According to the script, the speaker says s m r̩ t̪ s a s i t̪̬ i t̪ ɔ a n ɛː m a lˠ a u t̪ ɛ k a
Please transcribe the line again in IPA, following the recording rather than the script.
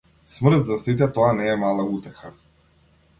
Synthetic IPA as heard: s m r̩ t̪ z a s i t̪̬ ɛ t̪ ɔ a n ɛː m a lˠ a u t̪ ɛ x a